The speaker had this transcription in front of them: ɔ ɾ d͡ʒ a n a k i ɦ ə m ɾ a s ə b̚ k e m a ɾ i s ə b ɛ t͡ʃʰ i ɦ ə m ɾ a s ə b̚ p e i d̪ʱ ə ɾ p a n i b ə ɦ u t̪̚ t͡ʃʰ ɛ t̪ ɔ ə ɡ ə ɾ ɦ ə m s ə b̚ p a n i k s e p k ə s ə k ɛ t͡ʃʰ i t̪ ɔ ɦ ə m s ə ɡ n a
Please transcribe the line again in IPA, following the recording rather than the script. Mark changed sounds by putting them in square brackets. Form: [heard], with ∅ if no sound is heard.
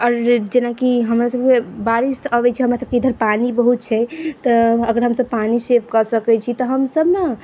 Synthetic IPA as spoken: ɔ ɾ d͡ʒ [e] n a k i ɦ ə m ɾ a s ə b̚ k e [b] a ɾ i s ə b ɛ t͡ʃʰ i ɦ ə m ɾ a s ə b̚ [k] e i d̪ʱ ə ɾ p a n i b ə ɦ u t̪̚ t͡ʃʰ ɛ t̪ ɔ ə ɡ ə ɾ ɦ ə m s ə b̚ p a n i [∅] s e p k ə s ə k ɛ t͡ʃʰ i t̪ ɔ ɦ ə m s ə [b] n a